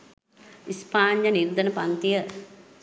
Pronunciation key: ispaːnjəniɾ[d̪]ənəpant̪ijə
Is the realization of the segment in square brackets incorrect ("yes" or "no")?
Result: no